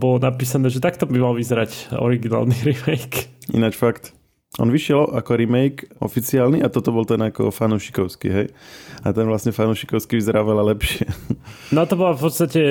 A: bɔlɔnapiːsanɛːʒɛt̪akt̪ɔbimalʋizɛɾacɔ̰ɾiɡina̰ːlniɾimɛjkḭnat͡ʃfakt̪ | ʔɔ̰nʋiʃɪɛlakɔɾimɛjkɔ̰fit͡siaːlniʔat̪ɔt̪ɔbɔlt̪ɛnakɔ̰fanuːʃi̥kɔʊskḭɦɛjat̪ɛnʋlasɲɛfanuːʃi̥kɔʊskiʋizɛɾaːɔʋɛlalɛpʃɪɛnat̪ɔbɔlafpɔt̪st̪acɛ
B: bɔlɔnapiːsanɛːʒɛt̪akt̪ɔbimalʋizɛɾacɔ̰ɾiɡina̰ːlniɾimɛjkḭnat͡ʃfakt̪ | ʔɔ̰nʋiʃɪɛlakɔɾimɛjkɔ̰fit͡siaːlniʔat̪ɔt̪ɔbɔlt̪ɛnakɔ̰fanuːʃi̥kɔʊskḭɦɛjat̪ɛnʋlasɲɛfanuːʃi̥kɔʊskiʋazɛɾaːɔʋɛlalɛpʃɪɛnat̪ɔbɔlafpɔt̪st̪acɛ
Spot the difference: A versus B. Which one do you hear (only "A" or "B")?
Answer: A